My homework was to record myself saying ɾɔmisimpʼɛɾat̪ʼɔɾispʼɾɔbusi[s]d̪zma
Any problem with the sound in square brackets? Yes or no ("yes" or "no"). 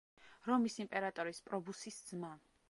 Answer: no